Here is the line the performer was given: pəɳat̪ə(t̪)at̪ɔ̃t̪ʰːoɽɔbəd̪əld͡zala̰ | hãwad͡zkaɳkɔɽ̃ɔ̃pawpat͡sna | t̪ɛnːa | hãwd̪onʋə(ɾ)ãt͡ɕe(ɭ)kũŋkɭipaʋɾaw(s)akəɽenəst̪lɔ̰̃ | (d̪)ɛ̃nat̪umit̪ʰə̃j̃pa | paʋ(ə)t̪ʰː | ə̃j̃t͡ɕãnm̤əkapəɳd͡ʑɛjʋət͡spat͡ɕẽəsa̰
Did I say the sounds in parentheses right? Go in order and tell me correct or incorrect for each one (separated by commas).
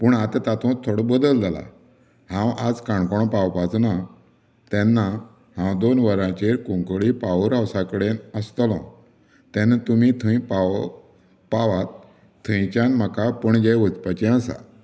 correct, correct, incorrect, correct, incorrect, incorrect